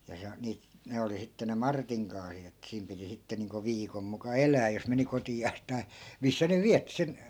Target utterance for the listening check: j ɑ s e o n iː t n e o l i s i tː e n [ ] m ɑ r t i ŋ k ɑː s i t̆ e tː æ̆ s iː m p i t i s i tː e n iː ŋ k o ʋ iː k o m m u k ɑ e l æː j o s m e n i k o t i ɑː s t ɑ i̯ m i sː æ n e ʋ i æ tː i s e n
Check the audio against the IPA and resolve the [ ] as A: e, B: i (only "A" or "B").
A